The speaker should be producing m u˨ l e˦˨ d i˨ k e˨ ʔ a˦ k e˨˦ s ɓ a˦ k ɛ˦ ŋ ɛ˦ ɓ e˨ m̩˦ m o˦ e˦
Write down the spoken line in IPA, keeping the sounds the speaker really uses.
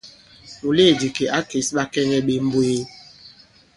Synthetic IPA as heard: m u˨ l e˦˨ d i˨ k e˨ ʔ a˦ k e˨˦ s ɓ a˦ k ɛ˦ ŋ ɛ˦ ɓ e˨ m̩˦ b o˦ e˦